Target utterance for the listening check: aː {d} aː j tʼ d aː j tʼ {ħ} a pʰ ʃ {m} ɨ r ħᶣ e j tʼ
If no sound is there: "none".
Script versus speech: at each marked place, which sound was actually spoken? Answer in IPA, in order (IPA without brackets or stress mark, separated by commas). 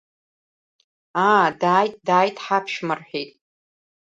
d, ħ, m